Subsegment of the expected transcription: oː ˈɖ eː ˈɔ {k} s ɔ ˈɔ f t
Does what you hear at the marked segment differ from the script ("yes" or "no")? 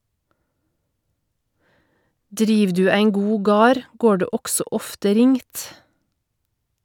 yes